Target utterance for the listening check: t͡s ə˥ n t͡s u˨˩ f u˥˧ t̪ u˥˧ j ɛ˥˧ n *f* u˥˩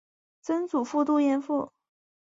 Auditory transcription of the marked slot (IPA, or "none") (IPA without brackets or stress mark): f